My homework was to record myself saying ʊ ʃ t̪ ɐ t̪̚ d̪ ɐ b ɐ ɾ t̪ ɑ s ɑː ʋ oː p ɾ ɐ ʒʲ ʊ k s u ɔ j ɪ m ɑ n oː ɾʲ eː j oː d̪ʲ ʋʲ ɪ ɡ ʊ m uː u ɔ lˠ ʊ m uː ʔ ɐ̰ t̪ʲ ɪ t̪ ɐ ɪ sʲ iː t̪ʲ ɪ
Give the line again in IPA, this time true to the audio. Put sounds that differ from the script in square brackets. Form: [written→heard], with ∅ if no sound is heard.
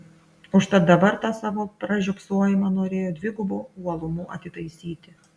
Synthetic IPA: ʊ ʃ t̪ ɐ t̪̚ d̪ ɐ b ɐ ɾ t̪ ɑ s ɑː ʋ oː p ɾ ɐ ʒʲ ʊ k s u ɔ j ɪ m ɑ n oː ɾʲ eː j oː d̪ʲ ʋʲ ɪ ɡ ʊ [m→b] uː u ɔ lˠ ʊ m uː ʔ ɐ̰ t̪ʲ ɪ t̪ ɐ ɪ sʲ iː t̪ʲ ɪ